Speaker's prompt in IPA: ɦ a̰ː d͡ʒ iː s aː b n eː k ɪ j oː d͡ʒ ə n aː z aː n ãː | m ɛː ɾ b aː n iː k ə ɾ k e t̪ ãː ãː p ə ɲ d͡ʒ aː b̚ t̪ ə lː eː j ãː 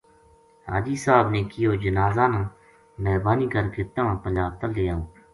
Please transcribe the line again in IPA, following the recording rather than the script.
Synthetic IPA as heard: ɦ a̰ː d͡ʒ iː s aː b n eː k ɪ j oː d͡ʒ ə n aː z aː n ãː | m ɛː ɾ b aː n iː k ə ɾ k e t̪ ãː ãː p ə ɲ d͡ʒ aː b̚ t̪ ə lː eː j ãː